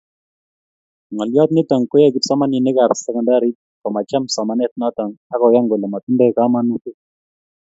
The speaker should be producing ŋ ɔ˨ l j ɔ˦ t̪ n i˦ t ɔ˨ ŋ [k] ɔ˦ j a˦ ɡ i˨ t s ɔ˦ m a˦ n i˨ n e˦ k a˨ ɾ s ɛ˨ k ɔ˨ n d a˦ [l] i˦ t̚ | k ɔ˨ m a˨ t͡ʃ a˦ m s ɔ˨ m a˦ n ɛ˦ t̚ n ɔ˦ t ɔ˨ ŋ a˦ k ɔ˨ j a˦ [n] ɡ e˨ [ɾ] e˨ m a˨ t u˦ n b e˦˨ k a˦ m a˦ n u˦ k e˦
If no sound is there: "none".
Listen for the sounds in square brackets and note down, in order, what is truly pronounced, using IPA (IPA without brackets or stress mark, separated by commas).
k, ɾ, ŋ, l